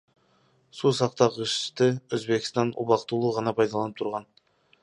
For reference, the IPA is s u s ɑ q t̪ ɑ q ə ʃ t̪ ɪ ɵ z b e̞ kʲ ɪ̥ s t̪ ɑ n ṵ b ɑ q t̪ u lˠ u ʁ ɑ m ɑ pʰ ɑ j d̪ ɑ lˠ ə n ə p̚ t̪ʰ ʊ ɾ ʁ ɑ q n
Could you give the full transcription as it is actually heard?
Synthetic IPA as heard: s u s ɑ q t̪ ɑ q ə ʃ t̪ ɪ ɵ z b e̞ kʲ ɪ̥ s t̪ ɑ n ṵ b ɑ q t̪ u lˠ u ʁ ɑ n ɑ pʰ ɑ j d̪ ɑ lˠ ɑ n ə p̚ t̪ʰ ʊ ɾ ʁ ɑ n